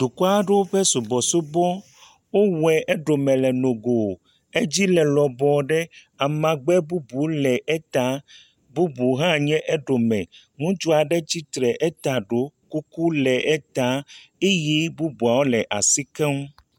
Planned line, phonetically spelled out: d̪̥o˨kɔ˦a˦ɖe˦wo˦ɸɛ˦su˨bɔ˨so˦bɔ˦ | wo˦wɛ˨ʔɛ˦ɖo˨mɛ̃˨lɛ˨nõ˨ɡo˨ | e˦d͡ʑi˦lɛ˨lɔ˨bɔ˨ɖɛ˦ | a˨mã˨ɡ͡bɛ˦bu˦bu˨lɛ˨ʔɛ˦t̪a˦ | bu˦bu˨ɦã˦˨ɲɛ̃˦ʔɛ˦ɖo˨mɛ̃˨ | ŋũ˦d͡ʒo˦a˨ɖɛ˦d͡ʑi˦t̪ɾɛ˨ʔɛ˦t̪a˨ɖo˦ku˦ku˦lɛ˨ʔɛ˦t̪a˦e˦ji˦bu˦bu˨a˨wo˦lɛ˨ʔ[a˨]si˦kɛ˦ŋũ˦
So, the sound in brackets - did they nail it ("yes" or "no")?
yes